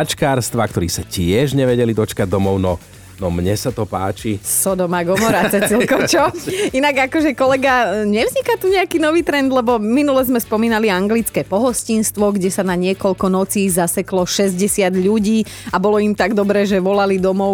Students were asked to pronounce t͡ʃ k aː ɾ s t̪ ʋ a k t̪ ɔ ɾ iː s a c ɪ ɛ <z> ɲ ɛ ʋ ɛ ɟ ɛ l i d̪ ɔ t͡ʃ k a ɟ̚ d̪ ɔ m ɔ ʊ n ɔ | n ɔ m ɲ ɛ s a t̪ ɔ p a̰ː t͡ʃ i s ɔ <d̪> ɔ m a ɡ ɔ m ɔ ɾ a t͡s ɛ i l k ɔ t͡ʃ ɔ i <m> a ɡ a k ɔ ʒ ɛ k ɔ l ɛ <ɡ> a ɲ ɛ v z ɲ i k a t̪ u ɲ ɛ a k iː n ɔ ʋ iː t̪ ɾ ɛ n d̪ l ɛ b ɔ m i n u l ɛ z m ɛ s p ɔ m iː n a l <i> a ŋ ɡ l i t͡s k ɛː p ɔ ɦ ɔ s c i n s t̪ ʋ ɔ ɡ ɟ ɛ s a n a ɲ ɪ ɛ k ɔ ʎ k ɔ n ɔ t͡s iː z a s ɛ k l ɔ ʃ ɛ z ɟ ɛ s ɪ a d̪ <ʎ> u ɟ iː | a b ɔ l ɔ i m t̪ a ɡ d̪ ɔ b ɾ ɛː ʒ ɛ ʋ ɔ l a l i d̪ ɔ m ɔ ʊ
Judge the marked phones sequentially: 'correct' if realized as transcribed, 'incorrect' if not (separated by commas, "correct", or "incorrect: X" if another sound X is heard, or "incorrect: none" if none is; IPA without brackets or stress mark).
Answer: incorrect: ʒ, correct, incorrect: n, correct, correct, correct